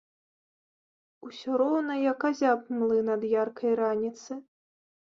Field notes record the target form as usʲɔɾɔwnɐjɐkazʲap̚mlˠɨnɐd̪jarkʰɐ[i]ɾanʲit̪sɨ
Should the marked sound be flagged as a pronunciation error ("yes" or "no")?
yes